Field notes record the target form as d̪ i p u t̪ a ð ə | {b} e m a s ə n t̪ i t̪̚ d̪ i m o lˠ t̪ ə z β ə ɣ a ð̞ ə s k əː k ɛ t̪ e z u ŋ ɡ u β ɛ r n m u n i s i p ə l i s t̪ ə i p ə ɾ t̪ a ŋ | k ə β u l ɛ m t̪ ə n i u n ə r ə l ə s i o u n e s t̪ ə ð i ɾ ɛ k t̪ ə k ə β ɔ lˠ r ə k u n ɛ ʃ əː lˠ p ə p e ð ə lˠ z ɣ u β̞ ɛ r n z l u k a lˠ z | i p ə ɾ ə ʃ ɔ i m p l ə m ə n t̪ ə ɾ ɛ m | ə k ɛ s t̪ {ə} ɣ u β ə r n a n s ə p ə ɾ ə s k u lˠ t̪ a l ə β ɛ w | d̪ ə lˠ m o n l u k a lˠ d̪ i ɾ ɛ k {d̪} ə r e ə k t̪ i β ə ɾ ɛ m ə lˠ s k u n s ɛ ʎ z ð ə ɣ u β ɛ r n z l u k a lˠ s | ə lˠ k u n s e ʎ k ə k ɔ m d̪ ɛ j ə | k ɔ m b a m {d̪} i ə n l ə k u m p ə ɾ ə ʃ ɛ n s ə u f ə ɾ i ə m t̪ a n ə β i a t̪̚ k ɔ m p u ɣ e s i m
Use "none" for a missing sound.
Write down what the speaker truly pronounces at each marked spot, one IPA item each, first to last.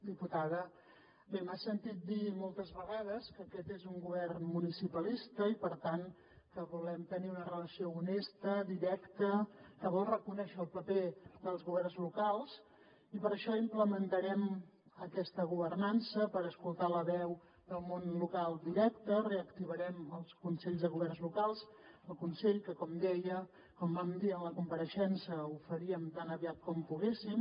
b, ə, t̪, d̪

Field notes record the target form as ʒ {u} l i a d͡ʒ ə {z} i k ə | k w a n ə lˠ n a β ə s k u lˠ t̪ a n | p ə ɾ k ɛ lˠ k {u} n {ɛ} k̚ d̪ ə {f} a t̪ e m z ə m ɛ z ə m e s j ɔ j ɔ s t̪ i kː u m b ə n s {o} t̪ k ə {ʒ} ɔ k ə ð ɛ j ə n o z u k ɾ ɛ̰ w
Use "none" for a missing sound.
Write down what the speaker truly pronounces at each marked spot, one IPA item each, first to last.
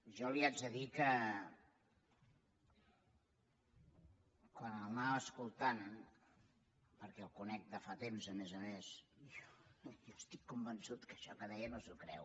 ɔ, ð, u, ɛ, f, u, ʃ

